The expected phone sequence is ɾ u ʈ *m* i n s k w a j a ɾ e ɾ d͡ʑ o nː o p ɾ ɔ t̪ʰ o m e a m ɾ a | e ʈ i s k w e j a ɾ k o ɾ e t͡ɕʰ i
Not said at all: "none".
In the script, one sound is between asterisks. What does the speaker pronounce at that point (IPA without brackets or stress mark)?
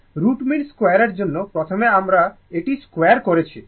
m